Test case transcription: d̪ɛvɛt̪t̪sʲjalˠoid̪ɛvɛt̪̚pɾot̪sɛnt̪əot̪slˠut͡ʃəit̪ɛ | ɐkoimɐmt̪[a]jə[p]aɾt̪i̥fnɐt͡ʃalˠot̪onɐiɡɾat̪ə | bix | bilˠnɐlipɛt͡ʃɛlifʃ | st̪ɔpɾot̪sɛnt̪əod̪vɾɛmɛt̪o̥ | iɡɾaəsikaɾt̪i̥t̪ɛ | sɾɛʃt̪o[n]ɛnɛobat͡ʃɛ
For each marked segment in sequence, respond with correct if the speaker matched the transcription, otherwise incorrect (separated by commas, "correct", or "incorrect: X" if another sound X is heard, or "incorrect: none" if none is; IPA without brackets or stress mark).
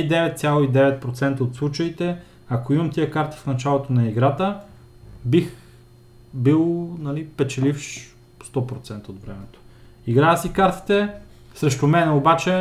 incorrect: i, incorrect: k, incorrect: m